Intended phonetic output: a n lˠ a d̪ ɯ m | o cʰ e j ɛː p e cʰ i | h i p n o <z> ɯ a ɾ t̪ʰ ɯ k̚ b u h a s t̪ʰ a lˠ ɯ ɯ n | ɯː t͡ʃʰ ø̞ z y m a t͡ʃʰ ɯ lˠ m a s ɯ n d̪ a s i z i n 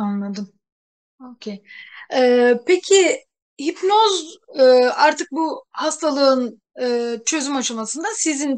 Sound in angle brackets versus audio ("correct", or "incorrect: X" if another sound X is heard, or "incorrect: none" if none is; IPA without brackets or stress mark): correct